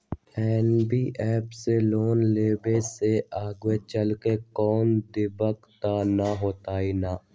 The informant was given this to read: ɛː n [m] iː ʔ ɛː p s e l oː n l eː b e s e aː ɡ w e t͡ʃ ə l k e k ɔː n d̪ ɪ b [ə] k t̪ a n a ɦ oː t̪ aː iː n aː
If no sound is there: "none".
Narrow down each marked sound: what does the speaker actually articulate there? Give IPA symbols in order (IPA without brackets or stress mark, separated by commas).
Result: b, ə